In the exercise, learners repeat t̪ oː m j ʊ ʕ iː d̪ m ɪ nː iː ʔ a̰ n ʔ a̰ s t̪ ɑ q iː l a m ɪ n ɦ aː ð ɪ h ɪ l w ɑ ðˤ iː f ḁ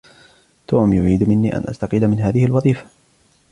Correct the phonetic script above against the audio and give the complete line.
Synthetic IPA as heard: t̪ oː m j ʊ ʕ iː d̪ m ɪ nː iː ʔ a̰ n ʔ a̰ s t̪ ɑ q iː l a m ɪ n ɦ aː ð ɪ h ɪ l w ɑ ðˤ iː f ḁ